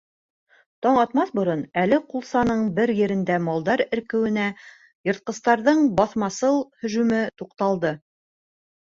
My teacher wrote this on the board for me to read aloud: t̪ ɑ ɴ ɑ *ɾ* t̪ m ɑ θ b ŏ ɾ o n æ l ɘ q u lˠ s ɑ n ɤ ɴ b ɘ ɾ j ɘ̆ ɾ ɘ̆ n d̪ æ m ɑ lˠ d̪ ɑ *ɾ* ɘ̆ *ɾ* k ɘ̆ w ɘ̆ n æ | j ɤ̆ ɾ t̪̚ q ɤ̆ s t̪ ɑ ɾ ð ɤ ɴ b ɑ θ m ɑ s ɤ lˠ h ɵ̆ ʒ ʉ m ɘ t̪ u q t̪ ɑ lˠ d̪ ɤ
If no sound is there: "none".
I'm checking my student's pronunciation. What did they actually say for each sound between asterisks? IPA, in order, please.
none, ɾ, ɾ

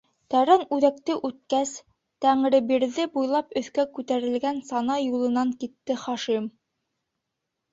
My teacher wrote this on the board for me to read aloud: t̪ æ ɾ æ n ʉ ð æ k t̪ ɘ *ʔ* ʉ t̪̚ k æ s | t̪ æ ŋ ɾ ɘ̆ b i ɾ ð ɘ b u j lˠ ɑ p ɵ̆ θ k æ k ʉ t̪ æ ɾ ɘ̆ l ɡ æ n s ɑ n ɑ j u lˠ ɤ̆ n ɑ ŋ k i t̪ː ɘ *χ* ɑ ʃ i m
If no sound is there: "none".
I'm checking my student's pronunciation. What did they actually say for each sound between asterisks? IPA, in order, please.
ʔ, χ

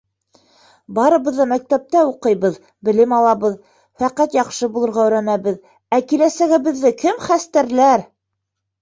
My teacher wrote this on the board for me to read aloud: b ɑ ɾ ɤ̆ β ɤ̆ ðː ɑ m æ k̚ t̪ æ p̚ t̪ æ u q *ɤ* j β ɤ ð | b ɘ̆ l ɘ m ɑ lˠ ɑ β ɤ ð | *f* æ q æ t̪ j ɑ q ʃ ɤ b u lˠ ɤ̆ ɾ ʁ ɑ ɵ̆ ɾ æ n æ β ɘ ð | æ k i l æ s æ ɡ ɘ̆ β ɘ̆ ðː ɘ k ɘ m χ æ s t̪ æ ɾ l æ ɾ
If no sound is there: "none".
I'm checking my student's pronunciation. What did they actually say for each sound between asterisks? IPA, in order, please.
ɤ, f

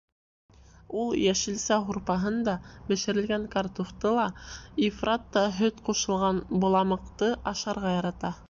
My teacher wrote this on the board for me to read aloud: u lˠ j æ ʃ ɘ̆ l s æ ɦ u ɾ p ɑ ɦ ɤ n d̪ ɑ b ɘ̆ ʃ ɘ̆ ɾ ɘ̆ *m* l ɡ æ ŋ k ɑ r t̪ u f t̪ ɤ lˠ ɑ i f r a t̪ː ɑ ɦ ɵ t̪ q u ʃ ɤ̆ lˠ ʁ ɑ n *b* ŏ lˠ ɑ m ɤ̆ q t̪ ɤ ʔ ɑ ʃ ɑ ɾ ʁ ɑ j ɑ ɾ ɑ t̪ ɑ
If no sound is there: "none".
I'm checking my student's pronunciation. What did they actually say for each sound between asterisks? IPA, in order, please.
none, b

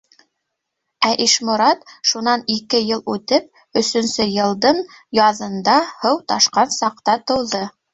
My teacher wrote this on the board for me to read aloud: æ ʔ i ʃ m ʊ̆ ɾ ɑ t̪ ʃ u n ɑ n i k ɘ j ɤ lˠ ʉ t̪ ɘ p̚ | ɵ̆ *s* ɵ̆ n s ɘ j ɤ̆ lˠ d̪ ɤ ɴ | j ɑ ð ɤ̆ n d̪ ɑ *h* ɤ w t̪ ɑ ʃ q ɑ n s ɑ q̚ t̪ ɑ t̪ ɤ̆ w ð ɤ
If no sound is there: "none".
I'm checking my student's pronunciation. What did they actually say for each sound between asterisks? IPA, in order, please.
s, h

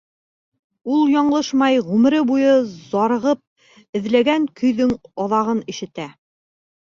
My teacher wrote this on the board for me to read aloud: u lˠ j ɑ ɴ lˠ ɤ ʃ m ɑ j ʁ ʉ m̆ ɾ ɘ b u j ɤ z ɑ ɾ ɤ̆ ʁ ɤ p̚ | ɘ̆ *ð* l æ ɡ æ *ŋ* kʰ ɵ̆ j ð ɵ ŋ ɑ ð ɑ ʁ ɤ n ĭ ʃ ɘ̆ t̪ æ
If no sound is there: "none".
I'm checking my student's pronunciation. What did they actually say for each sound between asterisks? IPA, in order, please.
ð, ŋ

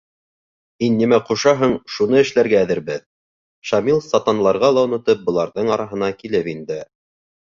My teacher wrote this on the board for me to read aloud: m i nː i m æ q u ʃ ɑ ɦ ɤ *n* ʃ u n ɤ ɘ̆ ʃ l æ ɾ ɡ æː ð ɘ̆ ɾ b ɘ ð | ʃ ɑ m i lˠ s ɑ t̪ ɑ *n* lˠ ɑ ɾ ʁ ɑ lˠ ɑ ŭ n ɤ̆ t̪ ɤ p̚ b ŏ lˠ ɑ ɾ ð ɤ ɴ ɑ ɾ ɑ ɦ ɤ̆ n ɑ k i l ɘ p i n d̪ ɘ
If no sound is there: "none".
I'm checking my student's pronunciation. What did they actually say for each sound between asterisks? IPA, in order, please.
ɴ, n

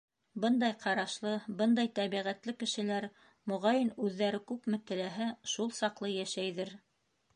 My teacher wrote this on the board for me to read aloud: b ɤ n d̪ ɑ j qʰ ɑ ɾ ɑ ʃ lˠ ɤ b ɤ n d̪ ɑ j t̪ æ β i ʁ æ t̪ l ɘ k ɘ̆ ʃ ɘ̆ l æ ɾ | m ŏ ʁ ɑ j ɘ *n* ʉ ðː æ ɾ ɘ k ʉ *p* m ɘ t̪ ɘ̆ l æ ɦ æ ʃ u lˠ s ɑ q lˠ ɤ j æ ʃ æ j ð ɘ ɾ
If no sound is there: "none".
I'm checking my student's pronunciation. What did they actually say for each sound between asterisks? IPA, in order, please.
n, p

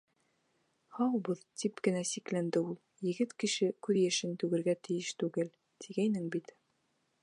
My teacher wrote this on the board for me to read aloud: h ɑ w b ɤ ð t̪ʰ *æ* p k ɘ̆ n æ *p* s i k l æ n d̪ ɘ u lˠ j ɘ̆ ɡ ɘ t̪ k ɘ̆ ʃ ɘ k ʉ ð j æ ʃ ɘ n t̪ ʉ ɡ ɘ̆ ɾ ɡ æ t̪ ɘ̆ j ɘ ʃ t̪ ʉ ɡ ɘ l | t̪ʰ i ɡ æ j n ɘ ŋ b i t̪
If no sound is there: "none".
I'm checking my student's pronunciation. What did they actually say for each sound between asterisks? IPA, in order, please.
i, none

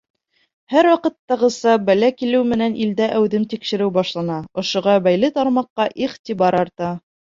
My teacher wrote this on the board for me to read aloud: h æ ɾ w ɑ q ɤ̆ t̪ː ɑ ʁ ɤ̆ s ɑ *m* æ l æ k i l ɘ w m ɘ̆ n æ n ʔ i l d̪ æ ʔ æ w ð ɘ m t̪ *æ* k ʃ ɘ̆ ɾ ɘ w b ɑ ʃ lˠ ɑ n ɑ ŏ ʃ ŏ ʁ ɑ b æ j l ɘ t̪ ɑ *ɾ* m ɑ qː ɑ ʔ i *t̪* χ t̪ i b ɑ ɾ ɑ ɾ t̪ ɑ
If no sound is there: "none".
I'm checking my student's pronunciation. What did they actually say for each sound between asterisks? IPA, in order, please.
b, i, ɾ, none

